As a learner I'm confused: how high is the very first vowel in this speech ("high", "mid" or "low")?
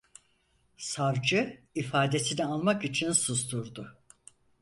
low